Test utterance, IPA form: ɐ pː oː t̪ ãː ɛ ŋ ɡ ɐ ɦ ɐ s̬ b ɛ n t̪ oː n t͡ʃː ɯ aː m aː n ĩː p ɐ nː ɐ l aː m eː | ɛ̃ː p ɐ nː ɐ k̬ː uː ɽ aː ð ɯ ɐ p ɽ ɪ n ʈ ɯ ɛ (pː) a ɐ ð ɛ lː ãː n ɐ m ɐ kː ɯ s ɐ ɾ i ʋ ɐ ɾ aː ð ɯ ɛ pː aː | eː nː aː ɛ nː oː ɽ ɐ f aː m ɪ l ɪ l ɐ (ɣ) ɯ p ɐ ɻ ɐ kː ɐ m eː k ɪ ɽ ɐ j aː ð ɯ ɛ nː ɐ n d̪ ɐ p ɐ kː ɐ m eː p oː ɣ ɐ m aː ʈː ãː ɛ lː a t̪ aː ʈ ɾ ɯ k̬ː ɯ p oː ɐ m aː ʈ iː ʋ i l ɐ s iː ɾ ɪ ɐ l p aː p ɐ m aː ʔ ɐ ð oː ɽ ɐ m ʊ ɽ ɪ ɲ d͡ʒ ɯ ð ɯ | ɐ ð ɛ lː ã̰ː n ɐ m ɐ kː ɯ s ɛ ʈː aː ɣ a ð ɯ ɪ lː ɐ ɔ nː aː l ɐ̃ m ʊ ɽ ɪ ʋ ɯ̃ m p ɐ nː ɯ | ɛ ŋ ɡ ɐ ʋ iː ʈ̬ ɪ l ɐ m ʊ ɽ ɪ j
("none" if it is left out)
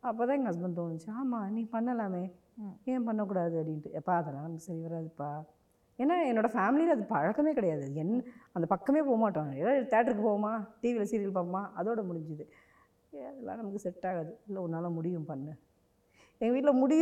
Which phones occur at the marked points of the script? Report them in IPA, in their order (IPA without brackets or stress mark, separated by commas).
pː, ð